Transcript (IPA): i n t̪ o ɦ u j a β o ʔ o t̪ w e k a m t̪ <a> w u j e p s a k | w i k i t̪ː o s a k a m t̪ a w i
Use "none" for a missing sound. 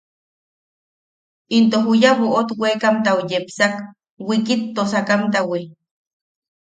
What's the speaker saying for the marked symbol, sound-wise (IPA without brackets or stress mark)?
a